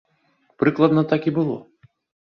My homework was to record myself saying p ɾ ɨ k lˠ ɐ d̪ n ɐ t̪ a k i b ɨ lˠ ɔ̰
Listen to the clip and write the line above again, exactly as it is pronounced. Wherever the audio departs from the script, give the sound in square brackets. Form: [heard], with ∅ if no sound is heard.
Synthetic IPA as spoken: p ɾ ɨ k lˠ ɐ d̪ n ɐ t̪ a k i b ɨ lˠ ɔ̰